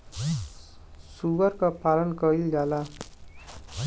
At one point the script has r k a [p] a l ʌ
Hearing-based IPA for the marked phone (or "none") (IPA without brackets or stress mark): p